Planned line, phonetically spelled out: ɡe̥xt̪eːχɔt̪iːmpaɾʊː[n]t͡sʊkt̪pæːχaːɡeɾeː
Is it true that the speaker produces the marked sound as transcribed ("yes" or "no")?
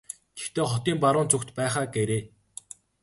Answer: yes